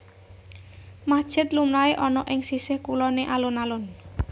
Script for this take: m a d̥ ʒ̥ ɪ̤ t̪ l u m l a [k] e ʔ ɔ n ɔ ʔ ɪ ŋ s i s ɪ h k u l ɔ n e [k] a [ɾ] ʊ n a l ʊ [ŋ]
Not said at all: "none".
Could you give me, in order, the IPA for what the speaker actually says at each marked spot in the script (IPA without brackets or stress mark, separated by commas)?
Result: none, ʔ, l, n